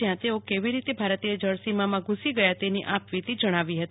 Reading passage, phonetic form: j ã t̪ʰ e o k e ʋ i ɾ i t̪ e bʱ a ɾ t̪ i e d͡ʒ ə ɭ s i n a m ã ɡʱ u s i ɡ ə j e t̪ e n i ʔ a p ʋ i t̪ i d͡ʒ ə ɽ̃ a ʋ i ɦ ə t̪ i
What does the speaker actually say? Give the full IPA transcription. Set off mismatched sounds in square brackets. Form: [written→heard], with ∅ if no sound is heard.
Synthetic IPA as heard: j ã [t̪ʰ→t̪] e o k e ʋ i ɾ i t̪ e bʱ a ɾ t̪ i e d͡ʒ ə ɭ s i [n→m] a m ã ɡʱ u s i ɡ ə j [e→a] t̪ e n i ʔ a p ʋ i t̪ i d͡ʒ ə ɽ̃ a ʋ i ɦ ə t̪ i